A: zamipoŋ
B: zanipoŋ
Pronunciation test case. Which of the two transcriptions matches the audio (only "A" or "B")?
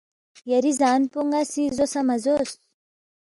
B